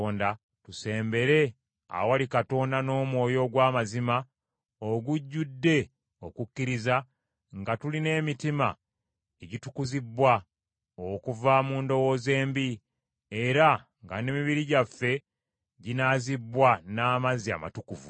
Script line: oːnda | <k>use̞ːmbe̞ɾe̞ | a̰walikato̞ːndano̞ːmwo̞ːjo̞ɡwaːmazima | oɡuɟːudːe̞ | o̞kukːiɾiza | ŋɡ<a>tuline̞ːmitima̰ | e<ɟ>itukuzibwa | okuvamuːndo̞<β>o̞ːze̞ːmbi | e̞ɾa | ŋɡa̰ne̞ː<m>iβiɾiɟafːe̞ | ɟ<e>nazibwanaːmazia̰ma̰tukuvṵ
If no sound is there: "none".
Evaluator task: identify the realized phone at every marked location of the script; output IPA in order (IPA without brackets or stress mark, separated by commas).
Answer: t, a, ɟ, w, m, i